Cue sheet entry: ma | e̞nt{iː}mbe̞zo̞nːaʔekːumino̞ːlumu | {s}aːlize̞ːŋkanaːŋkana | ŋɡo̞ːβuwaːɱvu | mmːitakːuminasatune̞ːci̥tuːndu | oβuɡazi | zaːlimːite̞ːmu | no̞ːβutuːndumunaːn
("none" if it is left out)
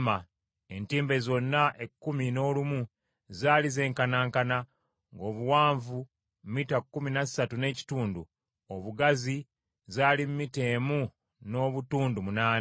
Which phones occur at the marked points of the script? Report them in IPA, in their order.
iː, z

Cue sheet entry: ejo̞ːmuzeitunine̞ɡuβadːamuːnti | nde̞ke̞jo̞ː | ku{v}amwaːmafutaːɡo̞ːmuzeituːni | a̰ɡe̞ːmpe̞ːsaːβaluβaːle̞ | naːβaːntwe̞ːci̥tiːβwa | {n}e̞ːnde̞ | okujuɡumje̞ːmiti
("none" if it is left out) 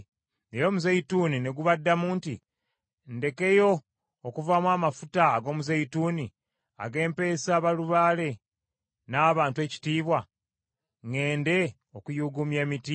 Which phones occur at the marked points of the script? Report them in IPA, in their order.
v, ŋ

